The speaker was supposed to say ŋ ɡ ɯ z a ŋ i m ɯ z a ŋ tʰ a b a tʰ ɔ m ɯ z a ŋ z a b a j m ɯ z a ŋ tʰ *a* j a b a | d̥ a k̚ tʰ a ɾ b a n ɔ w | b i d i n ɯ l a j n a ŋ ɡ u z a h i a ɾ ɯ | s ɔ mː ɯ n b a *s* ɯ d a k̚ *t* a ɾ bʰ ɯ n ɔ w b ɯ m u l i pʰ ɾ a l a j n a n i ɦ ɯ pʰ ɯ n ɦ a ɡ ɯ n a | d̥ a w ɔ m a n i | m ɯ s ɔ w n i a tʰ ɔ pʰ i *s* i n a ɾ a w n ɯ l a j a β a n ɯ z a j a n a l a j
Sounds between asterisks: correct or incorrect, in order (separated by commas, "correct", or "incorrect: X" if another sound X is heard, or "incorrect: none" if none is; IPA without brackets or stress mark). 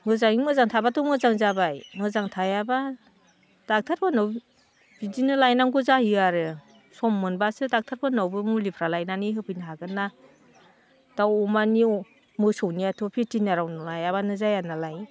correct, correct, incorrect: tʰ, incorrect: t